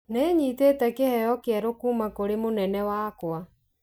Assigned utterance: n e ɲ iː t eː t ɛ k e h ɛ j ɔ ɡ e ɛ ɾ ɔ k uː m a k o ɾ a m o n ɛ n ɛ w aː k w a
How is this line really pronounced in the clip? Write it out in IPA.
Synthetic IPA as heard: n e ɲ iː t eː t ɛ k e h ɛ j ɔ k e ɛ ɾ o k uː m a k o ɾ e m o n ɛ n ɛ w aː k w a